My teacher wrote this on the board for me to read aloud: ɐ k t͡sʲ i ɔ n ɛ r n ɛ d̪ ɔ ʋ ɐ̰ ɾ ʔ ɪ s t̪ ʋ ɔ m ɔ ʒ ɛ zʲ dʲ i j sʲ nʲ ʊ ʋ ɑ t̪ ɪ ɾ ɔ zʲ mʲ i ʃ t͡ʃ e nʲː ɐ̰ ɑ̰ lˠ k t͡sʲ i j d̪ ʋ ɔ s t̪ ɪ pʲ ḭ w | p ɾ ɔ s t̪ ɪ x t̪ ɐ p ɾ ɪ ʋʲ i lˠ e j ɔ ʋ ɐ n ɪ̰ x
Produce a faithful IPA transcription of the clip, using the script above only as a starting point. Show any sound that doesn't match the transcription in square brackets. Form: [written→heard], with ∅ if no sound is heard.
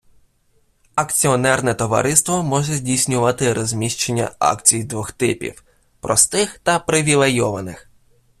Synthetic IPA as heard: ɐ k t͡sʲ i ɔ n ɛ r n ɛ [d̪→t̪] ɔ ʋ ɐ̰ ɾ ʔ ɪ s t̪ ʋ ɔ m ɔ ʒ ɛ zʲ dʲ i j sʲ nʲ ʊ ʋ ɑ t̪ ɪ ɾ ɔ zʲ mʲ i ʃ t͡ʃ e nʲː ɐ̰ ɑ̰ [lˠ→∅] k t͡sʲ i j d̪ ʋ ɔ [s→x] t̪ ɪ pʲ ḭ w | p ɾ ɔ s t̪ ɪ x t̪ ɐ p ɾ ɪ ʋʲ i lˠ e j ɔ ʋ ɐ n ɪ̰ x

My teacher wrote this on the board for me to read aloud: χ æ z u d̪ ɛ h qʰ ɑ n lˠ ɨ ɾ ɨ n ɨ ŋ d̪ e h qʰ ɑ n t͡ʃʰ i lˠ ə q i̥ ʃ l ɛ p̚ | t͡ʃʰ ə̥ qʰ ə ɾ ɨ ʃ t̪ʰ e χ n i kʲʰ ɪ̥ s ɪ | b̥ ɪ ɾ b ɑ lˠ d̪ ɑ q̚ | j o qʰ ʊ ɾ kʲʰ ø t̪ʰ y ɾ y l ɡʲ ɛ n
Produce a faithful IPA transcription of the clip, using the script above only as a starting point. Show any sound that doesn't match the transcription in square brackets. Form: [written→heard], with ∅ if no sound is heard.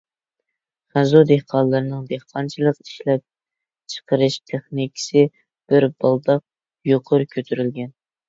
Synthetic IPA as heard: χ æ z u d̪ [ɛ→e] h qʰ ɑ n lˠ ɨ ɾ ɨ n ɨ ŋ d̪ e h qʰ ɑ n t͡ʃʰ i lˠ ə q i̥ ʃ l ɛ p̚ | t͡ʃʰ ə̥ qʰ ə ɾ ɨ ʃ t̪ʰ e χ n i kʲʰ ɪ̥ s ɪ | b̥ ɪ ɾ b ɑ lˠ d̪ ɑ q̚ | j o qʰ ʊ ɾ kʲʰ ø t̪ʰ y ɾ y l ɡʲ ɛ n

